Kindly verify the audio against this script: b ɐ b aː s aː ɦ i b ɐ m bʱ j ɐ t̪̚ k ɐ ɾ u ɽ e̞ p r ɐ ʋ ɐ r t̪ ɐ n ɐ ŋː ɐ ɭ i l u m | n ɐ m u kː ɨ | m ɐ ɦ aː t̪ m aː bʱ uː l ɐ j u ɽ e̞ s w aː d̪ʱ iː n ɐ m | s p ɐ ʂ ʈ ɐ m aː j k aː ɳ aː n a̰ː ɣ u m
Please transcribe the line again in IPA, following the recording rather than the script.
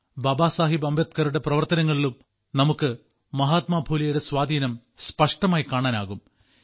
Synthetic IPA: b ɐ b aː s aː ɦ i b ɐ m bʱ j ɐ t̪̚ k ɐ ɾ u ɽ e̞ p r ɐ ʋ ɐ r t̪ ɐ n ɐ ŋː ɐ ɭ i l u m | n ɐ m u kː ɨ | m ɐ ɦ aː t̪ m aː bʱ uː l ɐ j u ɽ e̞ s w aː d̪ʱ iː n ɐ m | s p ɐ ʂ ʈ ɐ m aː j k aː ɳ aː n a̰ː ɣ u m

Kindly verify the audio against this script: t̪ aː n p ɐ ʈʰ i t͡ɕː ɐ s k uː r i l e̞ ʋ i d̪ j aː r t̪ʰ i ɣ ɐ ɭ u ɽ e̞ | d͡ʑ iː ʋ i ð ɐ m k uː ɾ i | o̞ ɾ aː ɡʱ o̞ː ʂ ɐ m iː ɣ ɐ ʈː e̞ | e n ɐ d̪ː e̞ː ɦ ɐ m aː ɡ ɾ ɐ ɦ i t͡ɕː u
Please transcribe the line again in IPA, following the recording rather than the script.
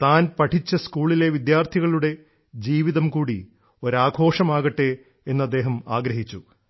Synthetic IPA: t̪ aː n p ɐ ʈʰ i t͡ɕː ɐ s k uː ɭ i l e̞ ʋ i d̪ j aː r t̪ʰ i ɣ ɐ ɭ u ɽ e̞ | d͡ʑ iː ʋ i ð ɐ m k uː ɽ i | o̞ ɾ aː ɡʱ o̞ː ʂ ɐ m aː ɣ ɐ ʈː e̞ | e nː ɐ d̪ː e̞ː ɦ ɐ m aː ɡ ɾ ɐ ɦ i t͡ɕː u

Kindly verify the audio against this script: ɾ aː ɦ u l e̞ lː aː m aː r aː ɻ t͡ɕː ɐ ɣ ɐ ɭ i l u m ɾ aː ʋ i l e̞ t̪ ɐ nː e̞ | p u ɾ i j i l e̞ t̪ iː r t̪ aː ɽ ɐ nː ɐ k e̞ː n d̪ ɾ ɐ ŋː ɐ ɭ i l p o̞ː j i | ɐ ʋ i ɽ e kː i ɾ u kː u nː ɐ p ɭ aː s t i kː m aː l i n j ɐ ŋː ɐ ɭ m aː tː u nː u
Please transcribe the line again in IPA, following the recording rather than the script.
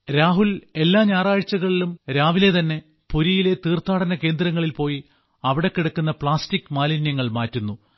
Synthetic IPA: ɾ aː ɦ u l e̞ lː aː ɲ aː r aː ɻ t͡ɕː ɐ ɣ ɐ ɭ i l u m ɾ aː ʋ i l e̞ t̪ ɐ nː e̞ | p u ɾ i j i l e̞ t̪ iː r t̪ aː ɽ ɐ n ɐ k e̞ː n d̪ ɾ ɐ ŋː ɐ ɭ i l p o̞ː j i | ɐ ʋ i ɽ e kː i ɽ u kː u nː ɐ p ɭ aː s t i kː m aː l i n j ɐ ŋː ɐ ɭ m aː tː u nː u

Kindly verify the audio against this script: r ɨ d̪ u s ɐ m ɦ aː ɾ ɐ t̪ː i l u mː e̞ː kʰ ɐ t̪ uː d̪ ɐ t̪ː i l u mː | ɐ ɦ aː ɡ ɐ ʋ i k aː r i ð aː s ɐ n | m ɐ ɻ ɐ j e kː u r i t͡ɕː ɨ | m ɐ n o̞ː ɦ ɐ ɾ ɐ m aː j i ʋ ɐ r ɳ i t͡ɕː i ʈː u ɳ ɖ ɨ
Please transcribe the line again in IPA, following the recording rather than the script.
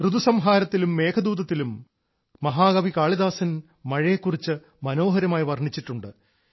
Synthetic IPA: r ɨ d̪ u s ɐ m ɦ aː ɾ ɐ t̪ː i l u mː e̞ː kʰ ɐ d̪ uː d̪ ɐ t̪ː i l u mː | ɐ ɦ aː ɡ ɐ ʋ i k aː ɭ i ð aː s ɐ n | m ɐ ɻ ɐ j e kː u r i t͡ɕː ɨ | m ɐ n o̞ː ɦ ɐ ɾ ɐ m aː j i ʋ ɐ r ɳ i t͡ɕː i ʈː u ɳ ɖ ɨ

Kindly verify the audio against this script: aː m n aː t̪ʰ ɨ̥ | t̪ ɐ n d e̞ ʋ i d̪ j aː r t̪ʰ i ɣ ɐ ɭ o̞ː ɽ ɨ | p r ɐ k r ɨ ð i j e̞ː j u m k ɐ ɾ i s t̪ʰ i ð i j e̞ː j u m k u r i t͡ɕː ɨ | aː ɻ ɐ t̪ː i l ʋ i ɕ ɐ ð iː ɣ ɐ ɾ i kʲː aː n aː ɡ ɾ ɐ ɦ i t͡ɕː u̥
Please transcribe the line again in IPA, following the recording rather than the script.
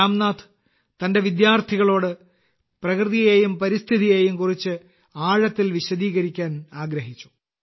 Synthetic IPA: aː m n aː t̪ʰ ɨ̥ | t̪ ɐ n d e̞ ʋ i d̪ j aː r t̪ʰ i ɣ ɐ ɭ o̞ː ɽ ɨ | p r ɐ k r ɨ ð i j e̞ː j u m p ɐ ɾ i s t̪ʰ i ð i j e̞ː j u m k u r i t͡ɕː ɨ | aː ɻ ɐ t̪ː i l ʋ i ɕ ɐ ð iː ɣ ɐ ɾ i kʲː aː n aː ɡ ɾ ɐ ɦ i t͡ɕː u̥

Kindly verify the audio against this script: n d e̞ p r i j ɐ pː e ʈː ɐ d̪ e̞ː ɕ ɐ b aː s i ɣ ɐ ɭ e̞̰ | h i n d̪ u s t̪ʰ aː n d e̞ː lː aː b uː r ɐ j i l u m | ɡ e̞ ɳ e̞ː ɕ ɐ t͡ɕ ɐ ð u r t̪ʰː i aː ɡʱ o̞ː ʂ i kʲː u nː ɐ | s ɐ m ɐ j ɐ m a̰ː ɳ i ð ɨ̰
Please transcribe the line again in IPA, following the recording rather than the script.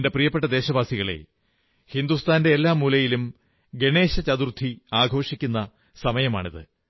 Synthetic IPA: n d e̞ p r i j ɐ pː e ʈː ɐ d̪ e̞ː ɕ ɐ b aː s i ɣ ɐ ɭ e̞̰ | h i n d̪ u s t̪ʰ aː n d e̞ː lː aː m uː l ɐ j i l u m | ɡ e̞ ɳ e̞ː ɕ ɐ t͡ɕ ɐ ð u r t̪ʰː i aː ɡʱ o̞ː ʂ i kʲː u nː ɐ | s ɐ m ɐ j ɐ m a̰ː ɳ i ð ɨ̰

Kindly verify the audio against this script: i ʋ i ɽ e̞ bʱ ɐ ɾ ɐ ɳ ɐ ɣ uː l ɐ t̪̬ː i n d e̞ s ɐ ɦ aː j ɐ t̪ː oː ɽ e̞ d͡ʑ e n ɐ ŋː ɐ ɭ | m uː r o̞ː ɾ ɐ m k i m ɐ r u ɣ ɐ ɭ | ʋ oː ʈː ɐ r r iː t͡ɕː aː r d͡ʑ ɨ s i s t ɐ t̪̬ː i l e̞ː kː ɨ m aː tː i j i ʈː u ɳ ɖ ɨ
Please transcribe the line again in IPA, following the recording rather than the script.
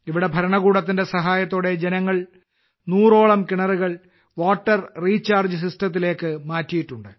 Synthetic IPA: i ʋ i ɽ e̞ bʱ ɐ ɾ ɐ ɳ ɐ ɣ uː ɽ ɐ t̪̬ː i n d e̞ s ɐ ɦ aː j ɐ t̪ː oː ɽ e̞ d͡ʑ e n ɐ ŋː ɐ ɭ | n uː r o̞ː ɭ ɐ m k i ɳ ɐ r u ɣ ɐ ɭ | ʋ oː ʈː ɐ r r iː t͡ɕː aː r d͡ʑ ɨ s i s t ɐ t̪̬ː i l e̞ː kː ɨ m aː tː i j i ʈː u ɳ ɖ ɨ

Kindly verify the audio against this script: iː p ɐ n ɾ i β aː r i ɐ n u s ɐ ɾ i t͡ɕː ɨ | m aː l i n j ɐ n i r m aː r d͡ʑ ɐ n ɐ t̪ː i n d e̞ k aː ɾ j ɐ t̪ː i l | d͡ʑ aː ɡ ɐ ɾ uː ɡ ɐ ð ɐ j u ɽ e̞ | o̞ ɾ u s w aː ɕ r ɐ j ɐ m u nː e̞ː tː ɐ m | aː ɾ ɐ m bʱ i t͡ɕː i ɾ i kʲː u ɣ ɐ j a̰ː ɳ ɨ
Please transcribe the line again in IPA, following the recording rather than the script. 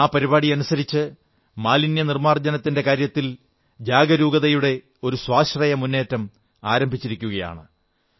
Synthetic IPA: aː p ɐ ɾ i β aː ɽ i ɐ n u s ɐ ɾ i t͡ɕː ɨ | m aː l i n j ɐ n i r m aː r d͡ʑ ɐ n ɐ t̪ː i n d e̞ k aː ɾ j ɐ t̪ː i l | d͡ʑ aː ɡ ɐ ɾ uː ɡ ɐ ð ɐ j u ɽ e̞ | o̞ ɾ u s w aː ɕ r ɐ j ɐ m u nː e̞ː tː ɐ m | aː ɾ ɐ m bʱ i t͡ɕː i ɾ i kʲː u ɣ ɐ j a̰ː ɳ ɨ

